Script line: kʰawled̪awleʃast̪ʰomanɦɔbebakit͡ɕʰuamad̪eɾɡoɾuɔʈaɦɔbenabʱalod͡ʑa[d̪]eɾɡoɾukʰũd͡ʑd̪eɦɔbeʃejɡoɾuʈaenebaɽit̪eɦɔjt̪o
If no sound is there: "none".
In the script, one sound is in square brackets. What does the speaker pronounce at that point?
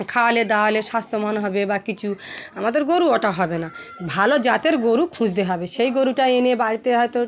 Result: t̪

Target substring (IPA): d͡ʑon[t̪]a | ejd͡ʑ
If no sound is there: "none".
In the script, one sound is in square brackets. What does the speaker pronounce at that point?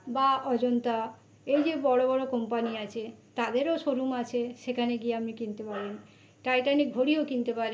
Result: t̪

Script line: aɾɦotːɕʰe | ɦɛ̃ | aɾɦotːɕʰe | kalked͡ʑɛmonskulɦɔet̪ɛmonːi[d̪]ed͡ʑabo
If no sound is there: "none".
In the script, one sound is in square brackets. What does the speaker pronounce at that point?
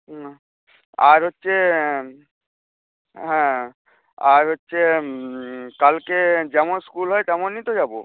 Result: t̪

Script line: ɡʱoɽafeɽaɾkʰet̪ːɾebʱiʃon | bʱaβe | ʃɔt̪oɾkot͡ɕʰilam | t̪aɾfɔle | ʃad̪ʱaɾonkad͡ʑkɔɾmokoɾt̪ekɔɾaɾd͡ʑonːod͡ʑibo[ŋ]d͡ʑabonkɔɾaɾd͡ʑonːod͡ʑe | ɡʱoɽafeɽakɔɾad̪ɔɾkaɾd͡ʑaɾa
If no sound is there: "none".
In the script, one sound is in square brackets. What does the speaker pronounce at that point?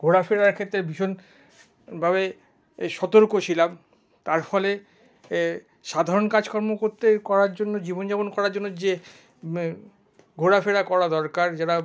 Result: n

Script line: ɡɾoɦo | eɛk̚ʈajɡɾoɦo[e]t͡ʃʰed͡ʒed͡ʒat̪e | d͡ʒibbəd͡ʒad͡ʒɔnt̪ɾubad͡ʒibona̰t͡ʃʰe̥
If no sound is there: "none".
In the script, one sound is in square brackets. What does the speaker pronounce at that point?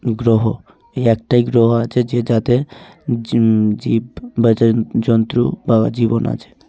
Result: a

